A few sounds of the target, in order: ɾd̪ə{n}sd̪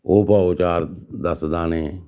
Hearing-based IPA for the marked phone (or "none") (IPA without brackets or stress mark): none